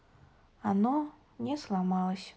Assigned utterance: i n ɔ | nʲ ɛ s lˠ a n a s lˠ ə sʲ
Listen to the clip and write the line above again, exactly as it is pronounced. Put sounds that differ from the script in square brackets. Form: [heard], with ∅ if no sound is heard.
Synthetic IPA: [a] n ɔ | nʲ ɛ s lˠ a [m] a [∅] lˠ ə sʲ